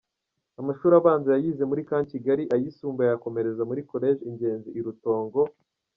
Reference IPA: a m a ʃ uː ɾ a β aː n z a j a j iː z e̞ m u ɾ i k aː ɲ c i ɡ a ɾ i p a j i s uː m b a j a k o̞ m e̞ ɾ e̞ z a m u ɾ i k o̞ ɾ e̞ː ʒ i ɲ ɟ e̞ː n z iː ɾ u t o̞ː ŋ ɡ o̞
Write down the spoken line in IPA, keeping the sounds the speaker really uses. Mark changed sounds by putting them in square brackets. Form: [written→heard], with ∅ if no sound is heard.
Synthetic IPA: a m a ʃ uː ɾ a β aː n z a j a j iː z e̞ m u ɾ i k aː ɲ c i ɡ a ɾ i [p→ʔ] a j i s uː m b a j a k o̞ m e̞ ɾ e̞ z a m u ɾ i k o̞ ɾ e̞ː ʒ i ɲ ɟ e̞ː n z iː ɾ u t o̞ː ŋ ɡ o̞